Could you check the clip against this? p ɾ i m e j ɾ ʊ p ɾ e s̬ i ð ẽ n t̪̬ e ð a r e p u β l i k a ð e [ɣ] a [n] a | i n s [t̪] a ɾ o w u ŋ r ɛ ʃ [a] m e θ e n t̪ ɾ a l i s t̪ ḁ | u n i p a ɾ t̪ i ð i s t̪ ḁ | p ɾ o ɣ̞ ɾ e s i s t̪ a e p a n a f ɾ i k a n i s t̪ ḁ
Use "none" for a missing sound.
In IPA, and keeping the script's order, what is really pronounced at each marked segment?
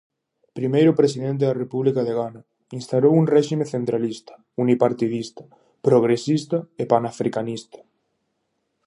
ɣ, n, t̪, i

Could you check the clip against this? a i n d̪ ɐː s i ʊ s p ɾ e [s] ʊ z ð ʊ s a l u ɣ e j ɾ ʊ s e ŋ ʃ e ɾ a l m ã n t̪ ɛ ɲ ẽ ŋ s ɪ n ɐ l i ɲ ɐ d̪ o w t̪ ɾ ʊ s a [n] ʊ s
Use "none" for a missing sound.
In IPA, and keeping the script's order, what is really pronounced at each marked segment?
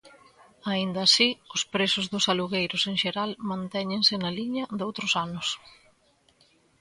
s, n

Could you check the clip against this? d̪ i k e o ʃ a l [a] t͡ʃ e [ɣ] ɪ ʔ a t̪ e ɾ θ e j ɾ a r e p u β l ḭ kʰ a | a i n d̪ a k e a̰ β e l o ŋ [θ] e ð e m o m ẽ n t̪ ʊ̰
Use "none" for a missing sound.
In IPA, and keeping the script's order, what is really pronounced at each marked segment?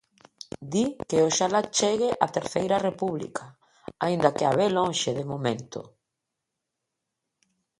a, ɣ, ʃ

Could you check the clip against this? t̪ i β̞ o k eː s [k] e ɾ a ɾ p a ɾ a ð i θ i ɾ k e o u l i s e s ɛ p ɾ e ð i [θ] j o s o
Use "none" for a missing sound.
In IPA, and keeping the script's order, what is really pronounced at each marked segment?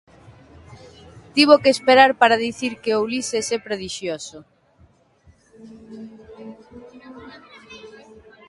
p, ʃ

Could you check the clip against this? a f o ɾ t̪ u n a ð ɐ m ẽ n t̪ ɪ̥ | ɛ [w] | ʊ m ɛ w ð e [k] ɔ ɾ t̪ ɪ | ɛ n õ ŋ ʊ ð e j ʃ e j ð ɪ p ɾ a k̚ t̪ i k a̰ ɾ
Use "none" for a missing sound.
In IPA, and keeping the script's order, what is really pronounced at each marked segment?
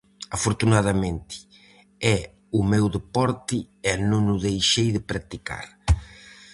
none, p

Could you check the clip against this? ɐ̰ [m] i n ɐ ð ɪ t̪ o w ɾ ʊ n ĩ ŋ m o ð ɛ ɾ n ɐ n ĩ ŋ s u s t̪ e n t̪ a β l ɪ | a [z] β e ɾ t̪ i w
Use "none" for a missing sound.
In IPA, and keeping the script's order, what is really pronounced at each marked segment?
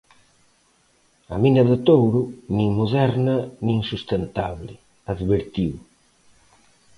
m, ð

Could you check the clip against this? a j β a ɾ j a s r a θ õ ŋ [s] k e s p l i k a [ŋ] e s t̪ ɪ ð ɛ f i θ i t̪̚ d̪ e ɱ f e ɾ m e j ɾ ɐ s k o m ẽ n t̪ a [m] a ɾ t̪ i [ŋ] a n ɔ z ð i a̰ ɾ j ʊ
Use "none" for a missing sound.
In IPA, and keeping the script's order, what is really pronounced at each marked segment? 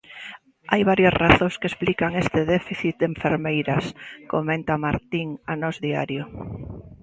s, ŋ, m, ŋ

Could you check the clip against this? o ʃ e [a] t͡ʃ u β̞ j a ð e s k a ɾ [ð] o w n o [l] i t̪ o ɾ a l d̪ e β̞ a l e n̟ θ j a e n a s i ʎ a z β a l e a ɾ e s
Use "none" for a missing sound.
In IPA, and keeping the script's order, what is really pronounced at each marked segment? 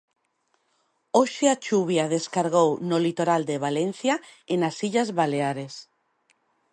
a, ɣ, l

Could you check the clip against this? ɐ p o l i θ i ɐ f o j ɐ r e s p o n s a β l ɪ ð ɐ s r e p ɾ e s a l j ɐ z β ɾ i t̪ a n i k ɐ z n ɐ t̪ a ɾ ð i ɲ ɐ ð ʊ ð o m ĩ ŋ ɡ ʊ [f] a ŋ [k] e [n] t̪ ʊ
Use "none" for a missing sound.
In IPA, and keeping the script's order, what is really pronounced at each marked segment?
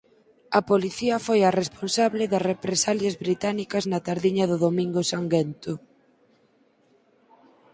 s, ɡ, n

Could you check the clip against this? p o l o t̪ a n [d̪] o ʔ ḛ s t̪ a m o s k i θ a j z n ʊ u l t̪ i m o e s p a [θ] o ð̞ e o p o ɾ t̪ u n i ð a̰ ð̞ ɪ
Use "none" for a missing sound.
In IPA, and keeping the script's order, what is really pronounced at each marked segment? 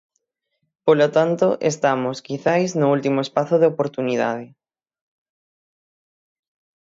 t̪, θ

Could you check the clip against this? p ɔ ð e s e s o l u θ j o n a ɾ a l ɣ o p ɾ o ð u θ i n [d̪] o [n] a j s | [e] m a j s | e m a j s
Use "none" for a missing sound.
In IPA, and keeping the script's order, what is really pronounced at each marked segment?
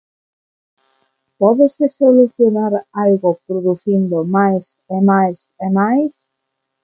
d̪, m, e

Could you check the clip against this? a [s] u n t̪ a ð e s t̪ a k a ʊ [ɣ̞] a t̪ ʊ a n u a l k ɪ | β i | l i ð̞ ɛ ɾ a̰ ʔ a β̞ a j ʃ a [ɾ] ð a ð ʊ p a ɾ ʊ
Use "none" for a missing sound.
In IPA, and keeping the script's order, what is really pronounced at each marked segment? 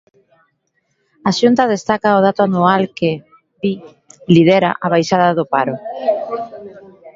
ʃ, ð̞, none

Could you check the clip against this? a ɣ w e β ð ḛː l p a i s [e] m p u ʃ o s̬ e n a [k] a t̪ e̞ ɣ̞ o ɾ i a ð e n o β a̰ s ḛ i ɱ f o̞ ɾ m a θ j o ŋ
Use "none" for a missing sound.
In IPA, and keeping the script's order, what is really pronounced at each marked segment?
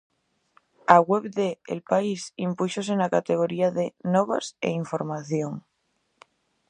i, k

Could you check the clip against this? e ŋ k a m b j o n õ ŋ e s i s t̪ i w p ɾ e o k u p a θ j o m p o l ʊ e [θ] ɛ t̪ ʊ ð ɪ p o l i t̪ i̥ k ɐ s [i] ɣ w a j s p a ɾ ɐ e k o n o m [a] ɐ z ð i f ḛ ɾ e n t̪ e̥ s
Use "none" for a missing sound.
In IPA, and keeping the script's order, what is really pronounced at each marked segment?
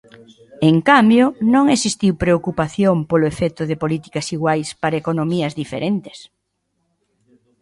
f, i, i

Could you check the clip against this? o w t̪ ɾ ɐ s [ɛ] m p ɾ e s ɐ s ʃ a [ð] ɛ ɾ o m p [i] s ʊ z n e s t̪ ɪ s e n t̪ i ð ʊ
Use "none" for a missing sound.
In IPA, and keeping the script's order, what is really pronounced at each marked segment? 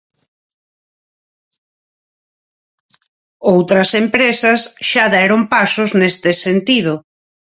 e, ð, a

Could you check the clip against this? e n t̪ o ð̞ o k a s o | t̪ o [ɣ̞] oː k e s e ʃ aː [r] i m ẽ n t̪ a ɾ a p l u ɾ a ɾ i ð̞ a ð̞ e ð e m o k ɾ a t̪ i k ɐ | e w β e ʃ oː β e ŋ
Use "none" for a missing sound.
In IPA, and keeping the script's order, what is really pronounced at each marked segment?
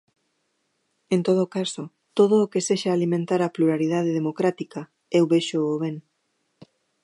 ð̞, l

